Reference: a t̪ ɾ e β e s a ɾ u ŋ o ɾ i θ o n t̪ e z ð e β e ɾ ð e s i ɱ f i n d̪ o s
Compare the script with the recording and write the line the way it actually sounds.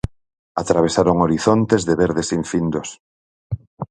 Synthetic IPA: a t̪ ɾ a β e s a ɾ o ŋ o ɾ i θ o n t̪ e z ð e β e ɾ ð e s i ɱ f i n d̪ o s